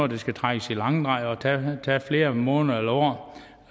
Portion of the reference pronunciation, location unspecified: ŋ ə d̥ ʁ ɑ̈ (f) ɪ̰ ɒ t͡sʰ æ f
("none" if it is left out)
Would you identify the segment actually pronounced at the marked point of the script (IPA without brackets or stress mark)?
none